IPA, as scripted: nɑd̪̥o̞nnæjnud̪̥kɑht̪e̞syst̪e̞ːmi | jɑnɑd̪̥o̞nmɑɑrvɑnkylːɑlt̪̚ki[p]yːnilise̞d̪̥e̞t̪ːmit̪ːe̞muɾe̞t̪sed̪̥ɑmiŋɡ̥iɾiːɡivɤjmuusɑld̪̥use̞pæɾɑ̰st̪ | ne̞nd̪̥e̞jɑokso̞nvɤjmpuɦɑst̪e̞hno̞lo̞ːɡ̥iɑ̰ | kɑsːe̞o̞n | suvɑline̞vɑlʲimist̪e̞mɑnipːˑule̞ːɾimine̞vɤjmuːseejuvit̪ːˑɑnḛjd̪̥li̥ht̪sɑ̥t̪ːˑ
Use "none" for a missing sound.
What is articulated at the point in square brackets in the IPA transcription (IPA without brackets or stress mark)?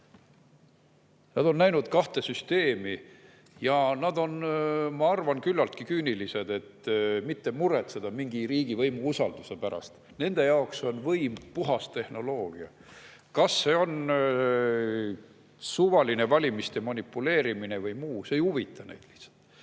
k